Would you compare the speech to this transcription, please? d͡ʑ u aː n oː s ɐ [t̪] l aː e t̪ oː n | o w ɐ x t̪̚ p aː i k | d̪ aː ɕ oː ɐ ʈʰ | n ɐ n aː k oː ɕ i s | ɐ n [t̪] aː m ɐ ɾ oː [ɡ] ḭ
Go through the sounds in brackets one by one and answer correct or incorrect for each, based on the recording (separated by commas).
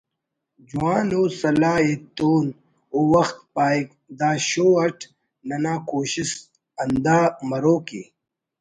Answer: incorrect, incorrect, incorrect